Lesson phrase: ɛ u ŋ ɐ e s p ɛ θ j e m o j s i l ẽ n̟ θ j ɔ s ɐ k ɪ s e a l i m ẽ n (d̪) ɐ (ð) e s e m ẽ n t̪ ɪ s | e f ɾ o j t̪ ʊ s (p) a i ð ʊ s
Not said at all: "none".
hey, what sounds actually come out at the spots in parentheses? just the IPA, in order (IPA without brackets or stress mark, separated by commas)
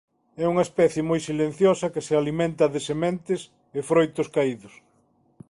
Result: t̪, ð, k